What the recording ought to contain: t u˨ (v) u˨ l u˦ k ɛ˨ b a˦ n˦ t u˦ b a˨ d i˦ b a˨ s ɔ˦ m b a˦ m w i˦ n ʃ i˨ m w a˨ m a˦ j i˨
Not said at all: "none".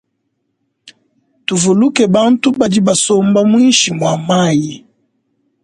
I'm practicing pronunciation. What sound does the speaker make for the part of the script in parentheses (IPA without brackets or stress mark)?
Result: v